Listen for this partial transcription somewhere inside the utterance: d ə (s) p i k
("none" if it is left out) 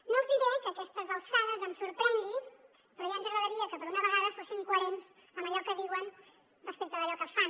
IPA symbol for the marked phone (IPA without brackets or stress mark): s